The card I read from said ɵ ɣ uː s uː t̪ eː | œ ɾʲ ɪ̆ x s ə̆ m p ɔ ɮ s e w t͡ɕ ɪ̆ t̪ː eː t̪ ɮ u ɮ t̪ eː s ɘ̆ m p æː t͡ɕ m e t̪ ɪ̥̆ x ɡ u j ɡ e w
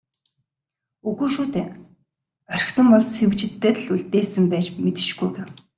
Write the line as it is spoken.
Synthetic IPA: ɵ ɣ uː ʃ uː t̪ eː | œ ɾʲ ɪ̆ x s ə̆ m p ɔ ɮ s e w t͡ɕ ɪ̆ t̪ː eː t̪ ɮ u ɮ t̪ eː s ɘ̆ m p æː t͡ɕ m e t̪ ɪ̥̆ ʃ ɡ u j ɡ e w